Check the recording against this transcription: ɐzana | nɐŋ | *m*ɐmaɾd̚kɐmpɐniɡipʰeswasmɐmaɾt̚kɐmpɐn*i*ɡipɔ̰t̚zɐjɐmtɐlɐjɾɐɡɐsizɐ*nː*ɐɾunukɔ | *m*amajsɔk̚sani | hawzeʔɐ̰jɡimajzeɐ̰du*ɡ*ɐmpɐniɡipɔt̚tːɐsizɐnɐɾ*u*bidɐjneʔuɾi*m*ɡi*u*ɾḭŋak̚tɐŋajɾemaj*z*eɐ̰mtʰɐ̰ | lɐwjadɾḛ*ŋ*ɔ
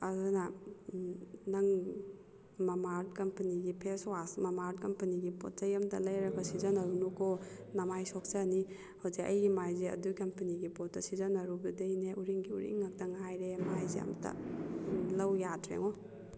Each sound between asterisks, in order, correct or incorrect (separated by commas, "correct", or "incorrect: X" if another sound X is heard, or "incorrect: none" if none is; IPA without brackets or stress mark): correct, correct, incorrect: n, incorrect: n, incorrect: k, correct, incorrect: ŋ, correct, correct, correct